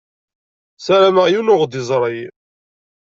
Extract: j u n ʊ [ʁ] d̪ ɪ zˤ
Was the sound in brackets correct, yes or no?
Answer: yes